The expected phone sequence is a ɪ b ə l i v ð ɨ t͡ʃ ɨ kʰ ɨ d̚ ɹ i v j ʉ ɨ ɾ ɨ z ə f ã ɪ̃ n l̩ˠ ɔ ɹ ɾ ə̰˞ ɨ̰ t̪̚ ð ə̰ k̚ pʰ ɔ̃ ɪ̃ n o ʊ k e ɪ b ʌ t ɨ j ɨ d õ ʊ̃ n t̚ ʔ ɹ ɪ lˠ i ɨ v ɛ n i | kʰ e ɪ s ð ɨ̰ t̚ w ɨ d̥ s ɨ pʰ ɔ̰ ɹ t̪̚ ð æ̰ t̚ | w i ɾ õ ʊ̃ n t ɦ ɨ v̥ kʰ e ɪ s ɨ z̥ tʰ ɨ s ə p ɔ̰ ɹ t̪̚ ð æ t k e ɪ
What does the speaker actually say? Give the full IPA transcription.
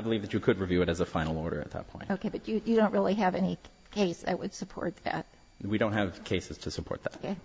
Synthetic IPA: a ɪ b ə l i v ð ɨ t͡ʃ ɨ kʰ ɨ d̚ ɹ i v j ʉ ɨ ɾ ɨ z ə f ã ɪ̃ n l̩ˠ ɔ ɹ ɾ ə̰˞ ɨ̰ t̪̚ ð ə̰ t̚ pʰ ɔ̃ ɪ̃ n o ʊ k e ɪ b ʌ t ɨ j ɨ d õ ʊ̃ n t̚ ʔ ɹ ɪ lˠ i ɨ v ɛ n i | kʰ e ɪ s ð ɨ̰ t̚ w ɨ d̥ s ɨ pʰ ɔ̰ ɹ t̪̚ ð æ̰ t̚ | w i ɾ õ ʊ̃ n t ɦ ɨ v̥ kʰ e ɪ s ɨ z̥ tʰ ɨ s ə pʰ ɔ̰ ɹ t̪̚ ð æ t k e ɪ